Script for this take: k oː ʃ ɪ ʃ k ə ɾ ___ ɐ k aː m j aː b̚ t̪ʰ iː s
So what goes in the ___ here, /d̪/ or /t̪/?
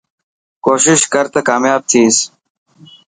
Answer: t̪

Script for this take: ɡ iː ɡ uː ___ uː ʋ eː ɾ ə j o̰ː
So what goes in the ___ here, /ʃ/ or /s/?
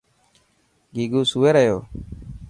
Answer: s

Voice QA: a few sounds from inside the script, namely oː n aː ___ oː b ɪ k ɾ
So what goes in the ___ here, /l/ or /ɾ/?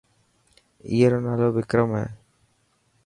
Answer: l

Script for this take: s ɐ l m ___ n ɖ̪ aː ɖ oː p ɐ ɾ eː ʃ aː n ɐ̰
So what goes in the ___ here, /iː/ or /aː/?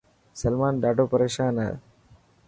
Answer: aː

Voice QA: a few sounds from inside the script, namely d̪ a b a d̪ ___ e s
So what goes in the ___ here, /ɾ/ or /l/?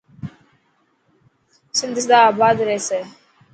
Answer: ɾ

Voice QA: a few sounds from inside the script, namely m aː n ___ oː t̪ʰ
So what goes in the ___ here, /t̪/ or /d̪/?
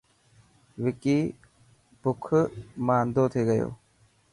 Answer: d̪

